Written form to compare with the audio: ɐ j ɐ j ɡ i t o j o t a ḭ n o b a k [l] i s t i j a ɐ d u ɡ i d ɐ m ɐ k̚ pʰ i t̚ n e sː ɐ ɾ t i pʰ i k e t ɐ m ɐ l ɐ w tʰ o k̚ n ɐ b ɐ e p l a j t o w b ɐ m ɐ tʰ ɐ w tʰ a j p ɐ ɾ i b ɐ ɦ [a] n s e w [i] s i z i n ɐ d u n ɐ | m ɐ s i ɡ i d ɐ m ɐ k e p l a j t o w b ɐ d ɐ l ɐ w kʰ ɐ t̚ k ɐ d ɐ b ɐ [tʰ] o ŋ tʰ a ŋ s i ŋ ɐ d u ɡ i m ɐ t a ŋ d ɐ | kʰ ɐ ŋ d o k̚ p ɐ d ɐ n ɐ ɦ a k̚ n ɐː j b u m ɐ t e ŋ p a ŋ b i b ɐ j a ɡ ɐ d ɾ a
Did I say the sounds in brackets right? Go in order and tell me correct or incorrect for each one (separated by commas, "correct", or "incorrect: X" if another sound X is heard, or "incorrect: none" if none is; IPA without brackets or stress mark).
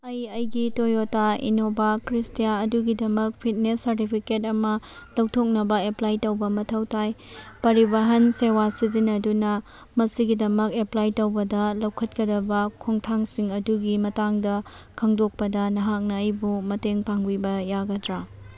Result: incorrect: ɾ, incorrect: ɐ, incorrect: a, incorrect: kʰ